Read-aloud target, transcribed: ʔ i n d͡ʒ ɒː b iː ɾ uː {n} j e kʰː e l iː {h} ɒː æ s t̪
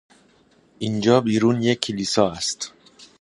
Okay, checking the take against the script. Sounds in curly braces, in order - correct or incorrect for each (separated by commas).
correct, incorrect